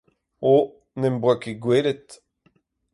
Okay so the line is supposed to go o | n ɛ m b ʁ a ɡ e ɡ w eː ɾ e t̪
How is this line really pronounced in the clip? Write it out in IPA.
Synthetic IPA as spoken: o | n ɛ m b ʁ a k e ɡ w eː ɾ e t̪